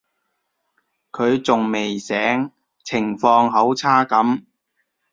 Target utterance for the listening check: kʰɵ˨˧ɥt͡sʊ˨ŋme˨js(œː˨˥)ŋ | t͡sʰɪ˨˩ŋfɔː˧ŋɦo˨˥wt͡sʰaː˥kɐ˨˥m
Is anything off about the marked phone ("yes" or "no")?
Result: yes